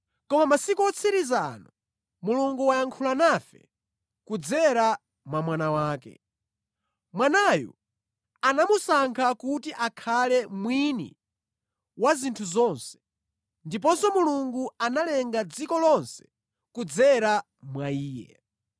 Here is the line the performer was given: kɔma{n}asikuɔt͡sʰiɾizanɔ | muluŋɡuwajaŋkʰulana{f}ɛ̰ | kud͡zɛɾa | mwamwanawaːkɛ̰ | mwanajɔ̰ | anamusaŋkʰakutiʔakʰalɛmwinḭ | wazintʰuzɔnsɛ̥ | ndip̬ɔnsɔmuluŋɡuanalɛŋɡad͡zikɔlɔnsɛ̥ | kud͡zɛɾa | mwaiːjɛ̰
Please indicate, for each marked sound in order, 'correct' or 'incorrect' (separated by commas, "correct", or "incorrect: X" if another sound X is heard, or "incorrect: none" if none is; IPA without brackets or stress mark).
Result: incorrect: m, correct